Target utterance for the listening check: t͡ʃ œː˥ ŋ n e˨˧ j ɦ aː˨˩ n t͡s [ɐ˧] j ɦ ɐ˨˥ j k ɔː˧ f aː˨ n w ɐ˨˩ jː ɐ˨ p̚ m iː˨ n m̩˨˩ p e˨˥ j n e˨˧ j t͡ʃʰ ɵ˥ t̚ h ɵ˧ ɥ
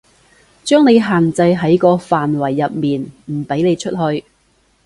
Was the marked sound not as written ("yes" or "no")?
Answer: no